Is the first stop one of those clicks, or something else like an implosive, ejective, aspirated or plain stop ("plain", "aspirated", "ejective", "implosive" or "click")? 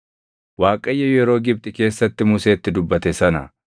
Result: ejective